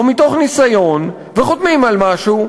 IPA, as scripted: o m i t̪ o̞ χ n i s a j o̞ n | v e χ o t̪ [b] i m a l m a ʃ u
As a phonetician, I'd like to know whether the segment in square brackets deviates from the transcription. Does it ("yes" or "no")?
yes